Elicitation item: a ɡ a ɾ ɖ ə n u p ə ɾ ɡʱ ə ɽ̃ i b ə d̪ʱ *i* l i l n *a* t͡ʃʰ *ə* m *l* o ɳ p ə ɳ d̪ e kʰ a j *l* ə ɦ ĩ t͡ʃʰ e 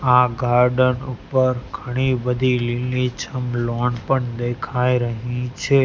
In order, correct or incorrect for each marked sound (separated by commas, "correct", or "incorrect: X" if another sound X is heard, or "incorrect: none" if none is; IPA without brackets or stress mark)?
correct, incorrect: i, correct, correct, incorrect: ɾ